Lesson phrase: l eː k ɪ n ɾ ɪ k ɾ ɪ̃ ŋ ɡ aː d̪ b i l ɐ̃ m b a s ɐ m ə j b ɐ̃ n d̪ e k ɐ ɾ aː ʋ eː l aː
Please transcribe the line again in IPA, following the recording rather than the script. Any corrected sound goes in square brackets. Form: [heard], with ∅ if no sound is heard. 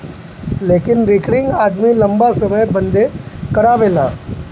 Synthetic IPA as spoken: l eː k ɪ n ɾ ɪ k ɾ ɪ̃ ŋ ɡ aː d̪ [m] i l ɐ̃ m b a s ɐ m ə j b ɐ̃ n d̪ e k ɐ ɾ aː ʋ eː l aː